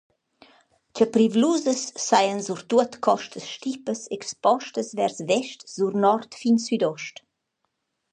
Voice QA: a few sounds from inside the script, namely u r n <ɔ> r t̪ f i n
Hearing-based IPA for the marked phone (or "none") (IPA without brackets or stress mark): ɔ